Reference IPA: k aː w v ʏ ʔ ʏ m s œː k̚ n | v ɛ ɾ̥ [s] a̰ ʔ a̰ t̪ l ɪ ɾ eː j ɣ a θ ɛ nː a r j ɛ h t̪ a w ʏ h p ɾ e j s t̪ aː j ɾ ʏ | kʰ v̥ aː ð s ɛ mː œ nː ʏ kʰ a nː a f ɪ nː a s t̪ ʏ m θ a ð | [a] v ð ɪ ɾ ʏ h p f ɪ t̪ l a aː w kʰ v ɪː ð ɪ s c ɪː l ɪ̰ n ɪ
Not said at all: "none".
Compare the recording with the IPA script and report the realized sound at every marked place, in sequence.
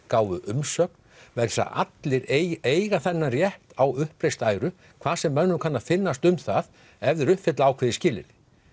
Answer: s, ɛ

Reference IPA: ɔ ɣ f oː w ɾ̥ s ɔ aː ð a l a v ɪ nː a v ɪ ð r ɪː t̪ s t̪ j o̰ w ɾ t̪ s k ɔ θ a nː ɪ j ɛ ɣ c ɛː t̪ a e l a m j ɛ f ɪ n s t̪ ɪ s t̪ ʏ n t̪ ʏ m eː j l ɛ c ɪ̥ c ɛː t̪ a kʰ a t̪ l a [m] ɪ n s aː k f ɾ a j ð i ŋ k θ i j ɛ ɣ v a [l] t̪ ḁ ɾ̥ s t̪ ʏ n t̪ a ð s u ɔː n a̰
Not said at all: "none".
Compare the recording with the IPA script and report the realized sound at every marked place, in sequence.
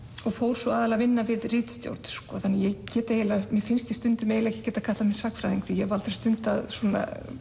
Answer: m, l

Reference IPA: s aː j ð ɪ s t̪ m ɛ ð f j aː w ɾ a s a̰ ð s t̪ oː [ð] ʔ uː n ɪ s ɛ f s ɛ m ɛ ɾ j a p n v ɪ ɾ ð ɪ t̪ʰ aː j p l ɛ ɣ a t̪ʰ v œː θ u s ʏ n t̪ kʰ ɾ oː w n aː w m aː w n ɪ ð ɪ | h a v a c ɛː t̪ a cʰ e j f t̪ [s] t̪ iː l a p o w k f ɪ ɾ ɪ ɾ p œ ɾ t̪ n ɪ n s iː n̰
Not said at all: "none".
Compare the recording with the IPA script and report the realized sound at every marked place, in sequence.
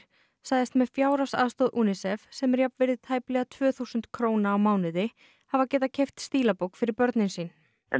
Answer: ð, s

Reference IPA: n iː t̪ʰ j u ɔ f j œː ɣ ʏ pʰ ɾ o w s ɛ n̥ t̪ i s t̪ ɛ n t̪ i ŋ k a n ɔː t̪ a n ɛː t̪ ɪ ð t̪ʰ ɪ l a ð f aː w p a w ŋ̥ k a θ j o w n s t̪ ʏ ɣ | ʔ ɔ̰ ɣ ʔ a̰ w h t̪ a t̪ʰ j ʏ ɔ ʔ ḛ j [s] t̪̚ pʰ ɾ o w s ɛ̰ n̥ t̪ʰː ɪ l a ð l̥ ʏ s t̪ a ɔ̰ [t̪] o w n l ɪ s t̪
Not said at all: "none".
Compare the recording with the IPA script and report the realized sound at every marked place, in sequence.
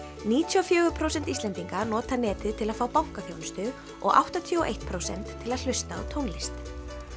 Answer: h, t̪ʰ

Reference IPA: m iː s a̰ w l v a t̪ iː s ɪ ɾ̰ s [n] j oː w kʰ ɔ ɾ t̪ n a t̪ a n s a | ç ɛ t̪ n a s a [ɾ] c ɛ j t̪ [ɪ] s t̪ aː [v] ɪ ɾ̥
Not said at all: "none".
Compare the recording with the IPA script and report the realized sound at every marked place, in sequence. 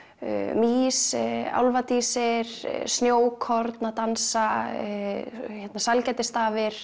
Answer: n, l, ɪ, v

